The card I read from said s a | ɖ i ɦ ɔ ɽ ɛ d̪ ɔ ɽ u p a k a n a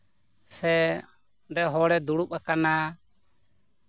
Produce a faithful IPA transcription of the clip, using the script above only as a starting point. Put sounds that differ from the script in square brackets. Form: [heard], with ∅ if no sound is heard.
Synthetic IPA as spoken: s [ɛ] | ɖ [ɛ] ɦ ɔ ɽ ɛ d̪ [u] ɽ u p a k a n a